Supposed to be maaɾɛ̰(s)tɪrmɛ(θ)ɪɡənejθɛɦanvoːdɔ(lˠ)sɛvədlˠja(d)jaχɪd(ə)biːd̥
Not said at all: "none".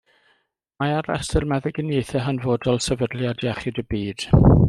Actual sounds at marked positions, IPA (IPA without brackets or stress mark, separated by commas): s, ð, lˠ, d, ə